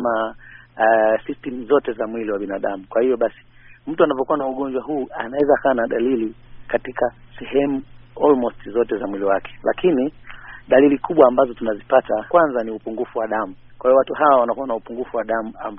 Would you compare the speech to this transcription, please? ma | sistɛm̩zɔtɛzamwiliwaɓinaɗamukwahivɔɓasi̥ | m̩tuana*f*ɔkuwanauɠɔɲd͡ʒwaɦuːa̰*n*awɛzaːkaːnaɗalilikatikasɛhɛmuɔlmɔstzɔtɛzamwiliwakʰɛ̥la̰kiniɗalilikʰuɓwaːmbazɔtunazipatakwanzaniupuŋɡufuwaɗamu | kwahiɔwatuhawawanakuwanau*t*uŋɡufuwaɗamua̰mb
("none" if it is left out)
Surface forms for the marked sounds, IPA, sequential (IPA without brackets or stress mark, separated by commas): v, n, p